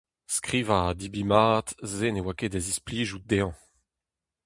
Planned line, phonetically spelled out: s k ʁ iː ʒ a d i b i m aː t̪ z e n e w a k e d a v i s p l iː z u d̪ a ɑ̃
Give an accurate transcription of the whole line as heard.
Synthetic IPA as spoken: s k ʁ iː v a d i b i m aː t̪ z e n e w a k e d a z i s p l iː ʒ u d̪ e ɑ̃